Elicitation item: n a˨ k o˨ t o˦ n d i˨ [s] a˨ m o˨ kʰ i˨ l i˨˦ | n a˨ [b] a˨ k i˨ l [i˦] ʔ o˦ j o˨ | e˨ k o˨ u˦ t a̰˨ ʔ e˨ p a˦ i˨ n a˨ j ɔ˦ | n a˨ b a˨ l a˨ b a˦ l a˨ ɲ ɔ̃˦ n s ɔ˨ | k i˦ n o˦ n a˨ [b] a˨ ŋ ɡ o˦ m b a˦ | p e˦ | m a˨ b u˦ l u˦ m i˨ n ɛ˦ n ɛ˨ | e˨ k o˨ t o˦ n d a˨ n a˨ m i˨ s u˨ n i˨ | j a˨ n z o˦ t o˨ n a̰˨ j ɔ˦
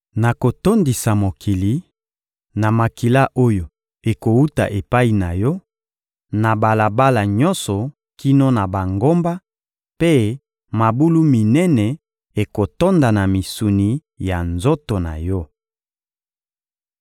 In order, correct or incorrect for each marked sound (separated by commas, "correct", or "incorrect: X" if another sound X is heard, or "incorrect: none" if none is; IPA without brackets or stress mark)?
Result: correct, incorrect: m, incorrect: a˦, correct